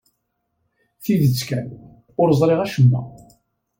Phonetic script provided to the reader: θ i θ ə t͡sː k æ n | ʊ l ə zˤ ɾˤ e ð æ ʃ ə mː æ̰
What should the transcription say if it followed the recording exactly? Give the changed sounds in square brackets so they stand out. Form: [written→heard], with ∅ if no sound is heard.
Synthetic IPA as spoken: θ i [θ→ð] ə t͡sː k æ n | ʊ [l→ɾ] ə zˤ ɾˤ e [ð→ʁ] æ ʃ ə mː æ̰